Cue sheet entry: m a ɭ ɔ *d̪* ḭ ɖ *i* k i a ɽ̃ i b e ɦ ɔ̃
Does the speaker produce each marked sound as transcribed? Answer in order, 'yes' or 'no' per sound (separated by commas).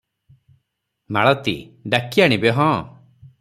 no, no